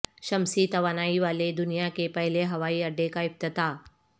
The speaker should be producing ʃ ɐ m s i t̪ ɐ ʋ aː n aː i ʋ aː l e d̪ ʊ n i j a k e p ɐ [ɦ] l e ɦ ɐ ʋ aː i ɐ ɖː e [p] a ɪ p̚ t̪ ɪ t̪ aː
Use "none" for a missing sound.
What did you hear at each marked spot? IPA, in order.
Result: ɦ, k

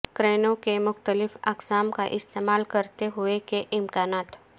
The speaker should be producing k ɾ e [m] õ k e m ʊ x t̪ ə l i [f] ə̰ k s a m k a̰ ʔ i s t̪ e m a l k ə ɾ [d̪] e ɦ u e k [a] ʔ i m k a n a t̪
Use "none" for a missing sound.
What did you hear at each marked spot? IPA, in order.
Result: n, f, t̪, e

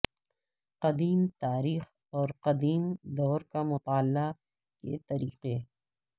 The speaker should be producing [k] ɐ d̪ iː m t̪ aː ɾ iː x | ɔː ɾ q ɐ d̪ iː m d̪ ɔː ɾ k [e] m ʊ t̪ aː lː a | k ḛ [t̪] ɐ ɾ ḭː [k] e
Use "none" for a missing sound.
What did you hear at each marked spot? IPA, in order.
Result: q, a, t̪, q

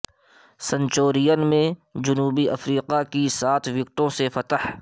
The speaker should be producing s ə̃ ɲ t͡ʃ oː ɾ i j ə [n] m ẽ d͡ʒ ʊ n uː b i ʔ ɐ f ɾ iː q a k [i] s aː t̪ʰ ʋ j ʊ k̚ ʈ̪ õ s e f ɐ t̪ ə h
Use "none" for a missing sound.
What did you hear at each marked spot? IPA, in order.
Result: n, i

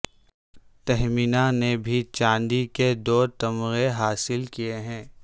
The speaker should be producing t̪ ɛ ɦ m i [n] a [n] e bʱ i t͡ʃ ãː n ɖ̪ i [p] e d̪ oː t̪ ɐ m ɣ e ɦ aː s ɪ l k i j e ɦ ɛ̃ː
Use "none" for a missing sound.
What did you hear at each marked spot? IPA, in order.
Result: n, n, k

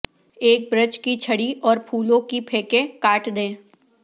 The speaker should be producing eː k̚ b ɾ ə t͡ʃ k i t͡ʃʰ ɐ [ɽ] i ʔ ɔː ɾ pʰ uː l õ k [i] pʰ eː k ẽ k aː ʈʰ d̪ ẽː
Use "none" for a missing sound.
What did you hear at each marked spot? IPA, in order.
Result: ɽ, i

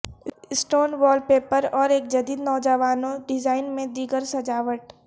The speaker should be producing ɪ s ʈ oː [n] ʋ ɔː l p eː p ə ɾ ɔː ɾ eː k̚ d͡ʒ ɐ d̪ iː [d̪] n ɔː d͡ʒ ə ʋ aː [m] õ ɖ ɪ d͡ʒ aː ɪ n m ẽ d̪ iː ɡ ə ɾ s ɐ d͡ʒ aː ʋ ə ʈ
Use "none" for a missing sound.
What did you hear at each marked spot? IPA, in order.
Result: n, d̪, n

